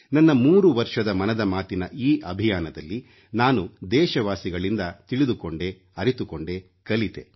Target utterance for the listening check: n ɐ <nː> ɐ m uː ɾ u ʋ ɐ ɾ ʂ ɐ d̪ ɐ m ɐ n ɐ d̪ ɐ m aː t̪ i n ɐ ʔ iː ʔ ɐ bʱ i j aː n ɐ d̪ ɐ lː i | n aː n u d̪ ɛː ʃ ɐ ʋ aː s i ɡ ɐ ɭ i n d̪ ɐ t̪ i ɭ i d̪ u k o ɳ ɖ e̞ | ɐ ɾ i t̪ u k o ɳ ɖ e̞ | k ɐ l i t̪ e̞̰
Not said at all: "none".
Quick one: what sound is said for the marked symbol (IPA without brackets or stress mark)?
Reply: nː